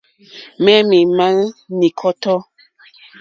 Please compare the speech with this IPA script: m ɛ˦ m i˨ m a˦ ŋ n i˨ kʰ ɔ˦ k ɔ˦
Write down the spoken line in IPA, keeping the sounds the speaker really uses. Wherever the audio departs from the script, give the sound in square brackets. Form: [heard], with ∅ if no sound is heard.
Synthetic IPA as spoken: m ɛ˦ m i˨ m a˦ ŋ n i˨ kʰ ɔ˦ [t] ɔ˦

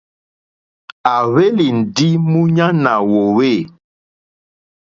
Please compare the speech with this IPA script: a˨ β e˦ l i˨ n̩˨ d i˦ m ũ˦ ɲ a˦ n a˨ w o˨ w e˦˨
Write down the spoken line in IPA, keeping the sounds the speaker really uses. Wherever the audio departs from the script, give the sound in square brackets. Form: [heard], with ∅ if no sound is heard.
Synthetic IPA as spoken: a˨ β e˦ l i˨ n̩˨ d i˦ m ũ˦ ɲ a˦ n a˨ w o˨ w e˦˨

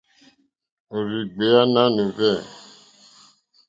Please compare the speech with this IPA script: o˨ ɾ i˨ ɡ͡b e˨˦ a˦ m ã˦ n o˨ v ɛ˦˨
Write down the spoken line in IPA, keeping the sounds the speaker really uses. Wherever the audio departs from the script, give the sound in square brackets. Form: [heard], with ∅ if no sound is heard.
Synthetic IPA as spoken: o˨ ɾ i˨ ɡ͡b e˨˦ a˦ [n] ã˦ n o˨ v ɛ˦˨

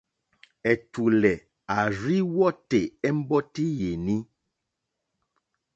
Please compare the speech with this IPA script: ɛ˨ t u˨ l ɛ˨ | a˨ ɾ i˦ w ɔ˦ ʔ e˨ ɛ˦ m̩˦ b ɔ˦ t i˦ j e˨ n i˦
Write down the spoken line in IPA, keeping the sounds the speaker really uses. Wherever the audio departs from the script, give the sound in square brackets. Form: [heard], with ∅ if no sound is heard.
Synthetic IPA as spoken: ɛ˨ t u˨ l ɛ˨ | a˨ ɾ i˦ w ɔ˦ [t] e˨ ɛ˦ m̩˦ b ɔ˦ t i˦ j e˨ n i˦

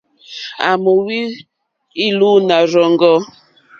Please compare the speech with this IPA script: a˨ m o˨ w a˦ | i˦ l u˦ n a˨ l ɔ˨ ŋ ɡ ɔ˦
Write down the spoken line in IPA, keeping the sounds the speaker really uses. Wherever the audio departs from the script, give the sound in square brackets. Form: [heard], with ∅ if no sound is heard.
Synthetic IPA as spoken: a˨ m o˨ w [i˦] | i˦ l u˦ n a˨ [ɾ] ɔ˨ ŋ ɡ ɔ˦

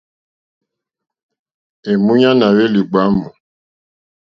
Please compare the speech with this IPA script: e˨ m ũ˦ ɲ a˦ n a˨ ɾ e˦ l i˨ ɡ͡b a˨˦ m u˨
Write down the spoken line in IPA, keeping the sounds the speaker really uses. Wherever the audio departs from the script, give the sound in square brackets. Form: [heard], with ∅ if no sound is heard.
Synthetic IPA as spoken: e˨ m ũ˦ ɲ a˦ n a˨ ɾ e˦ l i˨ ɡ͡b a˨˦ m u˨

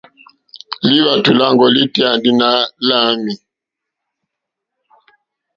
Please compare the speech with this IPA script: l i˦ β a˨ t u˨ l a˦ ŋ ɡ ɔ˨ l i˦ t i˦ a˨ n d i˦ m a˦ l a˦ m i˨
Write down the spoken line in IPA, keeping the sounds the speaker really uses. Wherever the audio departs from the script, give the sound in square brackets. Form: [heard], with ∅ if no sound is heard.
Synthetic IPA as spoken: l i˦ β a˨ t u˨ l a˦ ŋ ɡ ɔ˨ l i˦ t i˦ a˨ n d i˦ [n] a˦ l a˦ m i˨

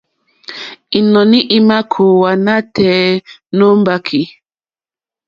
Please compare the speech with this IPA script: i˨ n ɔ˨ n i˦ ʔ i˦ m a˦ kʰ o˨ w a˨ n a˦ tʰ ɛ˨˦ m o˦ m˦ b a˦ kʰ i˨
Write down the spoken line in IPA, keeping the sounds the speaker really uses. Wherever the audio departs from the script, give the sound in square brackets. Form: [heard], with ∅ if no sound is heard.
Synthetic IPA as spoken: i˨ n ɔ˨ n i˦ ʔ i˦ m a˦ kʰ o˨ w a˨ n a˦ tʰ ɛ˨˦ [n] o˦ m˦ b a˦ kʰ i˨

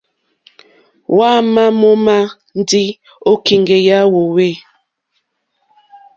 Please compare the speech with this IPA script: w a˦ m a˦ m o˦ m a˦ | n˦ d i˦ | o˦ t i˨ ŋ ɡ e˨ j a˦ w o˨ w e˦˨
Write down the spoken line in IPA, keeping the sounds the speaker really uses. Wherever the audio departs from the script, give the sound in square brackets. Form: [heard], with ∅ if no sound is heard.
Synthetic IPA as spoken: w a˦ m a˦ m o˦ m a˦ | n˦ d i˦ | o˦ [k] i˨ ŋ ɡ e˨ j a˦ w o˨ w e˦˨

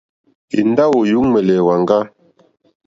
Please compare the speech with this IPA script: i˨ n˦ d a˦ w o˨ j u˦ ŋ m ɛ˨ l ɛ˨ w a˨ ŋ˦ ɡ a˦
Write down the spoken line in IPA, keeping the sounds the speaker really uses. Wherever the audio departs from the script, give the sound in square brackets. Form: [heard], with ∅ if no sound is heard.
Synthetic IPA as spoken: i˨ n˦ d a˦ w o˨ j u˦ ŋ m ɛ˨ l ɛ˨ w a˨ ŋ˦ ɡ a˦

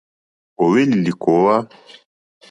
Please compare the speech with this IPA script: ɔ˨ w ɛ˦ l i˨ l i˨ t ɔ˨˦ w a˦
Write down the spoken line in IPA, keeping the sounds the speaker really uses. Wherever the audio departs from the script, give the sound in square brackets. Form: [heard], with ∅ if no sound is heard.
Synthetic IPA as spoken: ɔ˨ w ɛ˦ l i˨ l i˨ [k] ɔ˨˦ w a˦

